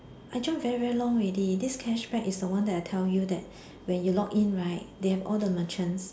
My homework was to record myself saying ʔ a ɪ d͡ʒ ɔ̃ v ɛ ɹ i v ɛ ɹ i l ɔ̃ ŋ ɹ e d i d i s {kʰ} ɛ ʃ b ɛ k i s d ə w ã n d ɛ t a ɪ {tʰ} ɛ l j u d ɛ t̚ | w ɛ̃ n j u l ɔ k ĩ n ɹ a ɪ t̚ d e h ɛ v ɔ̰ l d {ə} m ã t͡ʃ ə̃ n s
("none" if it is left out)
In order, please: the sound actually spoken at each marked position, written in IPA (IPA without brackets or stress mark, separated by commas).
kʰ, tʰ, ə